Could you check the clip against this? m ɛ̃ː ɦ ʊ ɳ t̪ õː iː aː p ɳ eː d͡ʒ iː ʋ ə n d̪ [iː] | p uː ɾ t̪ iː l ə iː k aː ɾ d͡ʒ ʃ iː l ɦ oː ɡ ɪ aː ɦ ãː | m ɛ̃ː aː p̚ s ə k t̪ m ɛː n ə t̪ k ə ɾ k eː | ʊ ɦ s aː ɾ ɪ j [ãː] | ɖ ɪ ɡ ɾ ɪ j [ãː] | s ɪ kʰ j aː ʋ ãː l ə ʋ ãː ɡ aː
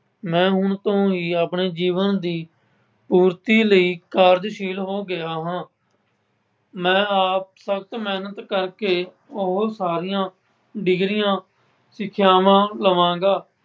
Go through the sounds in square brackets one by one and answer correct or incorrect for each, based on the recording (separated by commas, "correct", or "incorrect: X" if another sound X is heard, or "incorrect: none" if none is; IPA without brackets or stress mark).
correct, correct, correct